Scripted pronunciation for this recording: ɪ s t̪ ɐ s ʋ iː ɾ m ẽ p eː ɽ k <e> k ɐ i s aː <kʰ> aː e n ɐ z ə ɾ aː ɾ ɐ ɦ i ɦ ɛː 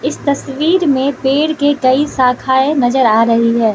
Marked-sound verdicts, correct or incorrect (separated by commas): correct, correct